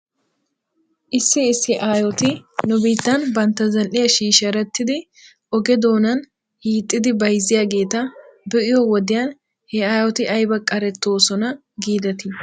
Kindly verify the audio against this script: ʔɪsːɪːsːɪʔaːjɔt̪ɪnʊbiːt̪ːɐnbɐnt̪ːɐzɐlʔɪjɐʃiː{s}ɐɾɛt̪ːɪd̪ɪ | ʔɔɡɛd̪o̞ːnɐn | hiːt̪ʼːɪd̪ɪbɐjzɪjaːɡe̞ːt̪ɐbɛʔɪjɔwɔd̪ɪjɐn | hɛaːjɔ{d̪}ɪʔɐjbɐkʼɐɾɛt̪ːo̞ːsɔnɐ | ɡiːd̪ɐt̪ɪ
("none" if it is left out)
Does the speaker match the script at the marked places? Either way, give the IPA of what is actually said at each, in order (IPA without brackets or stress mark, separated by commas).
ʃ, t̪